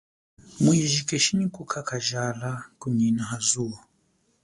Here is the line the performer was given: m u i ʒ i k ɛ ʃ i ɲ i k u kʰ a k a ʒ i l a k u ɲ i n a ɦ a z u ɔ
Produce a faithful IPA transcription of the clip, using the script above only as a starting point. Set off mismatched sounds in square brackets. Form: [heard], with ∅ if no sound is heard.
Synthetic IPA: m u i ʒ i k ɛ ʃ i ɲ i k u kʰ a k a ʒ [a] l a k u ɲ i n a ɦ a z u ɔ